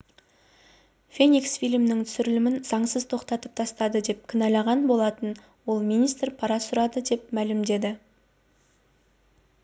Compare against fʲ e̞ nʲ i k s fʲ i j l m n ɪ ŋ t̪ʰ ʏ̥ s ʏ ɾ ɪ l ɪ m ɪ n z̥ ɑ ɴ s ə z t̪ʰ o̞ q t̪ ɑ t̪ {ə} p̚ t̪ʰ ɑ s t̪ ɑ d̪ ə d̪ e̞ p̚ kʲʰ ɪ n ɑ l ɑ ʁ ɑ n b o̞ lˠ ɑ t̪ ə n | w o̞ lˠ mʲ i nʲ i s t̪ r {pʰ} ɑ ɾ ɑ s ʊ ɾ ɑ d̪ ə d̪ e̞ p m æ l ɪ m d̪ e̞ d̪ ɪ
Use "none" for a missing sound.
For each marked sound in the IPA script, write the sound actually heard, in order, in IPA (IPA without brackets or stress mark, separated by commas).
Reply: ə, pʰ